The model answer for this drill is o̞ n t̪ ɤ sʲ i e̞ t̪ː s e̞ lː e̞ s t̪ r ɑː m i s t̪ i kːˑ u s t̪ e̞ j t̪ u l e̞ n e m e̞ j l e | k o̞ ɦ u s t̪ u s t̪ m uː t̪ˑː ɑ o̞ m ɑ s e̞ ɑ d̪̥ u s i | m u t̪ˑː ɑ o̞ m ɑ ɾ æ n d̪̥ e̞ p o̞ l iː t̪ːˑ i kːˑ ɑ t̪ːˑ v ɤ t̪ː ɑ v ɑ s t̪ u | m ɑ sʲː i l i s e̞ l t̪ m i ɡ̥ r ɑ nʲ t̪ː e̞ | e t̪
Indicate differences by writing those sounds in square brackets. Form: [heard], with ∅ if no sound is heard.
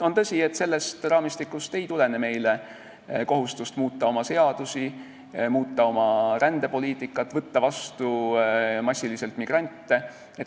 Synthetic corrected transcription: o̞ n t̪ ɤ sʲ i e̞ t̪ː s e̞ lː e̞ s t̪ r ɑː m i s t̪ i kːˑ u s t̪ e̞ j t̪ u l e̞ n e m e̞ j l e | k o̞ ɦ u s t̪ u s t̪ m uː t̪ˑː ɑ o̞ m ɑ s e̞ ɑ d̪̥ u s i | m [uː] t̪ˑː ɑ o̞ m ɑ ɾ æ n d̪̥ e̞ p o̞ l iː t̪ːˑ i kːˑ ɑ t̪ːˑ v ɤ t̪ː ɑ v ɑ s t̪ u | m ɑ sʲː i l i s e̞ l t̪ m i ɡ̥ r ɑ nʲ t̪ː e̞ | e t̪

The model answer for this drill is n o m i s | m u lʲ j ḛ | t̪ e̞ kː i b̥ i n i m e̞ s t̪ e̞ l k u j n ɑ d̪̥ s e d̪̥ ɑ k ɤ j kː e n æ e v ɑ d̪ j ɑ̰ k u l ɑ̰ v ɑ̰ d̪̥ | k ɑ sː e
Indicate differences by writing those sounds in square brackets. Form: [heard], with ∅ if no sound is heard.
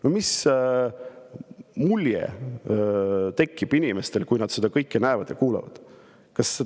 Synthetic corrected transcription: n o m i s | m u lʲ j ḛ | t̪ e̞ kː i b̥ i n i m e̞ s t̪ e̞ l k u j n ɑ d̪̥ s e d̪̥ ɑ k ɤ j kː e n æ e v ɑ d̪ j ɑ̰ k [uː] l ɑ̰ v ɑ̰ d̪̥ | k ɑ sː e

